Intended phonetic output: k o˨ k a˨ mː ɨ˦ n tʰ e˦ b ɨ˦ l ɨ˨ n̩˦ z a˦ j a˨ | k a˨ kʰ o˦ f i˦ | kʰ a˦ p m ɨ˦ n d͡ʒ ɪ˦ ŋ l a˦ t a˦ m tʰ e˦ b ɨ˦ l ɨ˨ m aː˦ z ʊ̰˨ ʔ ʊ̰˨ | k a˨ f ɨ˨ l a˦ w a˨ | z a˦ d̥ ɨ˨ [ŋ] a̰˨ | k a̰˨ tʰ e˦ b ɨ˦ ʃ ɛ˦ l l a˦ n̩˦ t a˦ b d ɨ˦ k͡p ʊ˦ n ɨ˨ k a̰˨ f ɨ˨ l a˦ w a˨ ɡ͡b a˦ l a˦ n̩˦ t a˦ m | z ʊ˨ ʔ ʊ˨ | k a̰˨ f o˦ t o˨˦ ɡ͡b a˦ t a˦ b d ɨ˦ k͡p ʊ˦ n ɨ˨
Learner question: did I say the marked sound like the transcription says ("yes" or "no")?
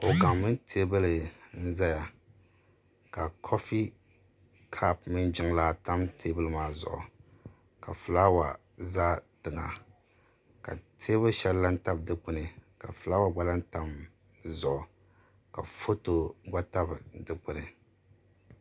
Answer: yes